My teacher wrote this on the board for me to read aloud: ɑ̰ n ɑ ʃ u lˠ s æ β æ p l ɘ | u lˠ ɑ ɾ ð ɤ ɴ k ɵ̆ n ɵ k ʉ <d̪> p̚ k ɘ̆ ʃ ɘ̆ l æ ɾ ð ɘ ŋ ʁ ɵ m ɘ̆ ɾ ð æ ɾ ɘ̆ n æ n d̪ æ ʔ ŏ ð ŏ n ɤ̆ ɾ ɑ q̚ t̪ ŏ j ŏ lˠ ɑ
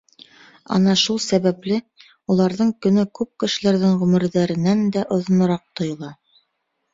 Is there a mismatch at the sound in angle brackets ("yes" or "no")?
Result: yes